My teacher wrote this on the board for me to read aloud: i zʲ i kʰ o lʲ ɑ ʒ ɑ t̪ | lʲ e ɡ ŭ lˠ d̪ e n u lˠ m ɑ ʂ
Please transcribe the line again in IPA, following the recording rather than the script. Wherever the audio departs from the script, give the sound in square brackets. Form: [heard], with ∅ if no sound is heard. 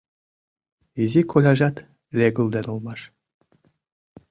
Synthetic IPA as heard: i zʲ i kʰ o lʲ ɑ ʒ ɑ t̪ | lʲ e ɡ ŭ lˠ d̪ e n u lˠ m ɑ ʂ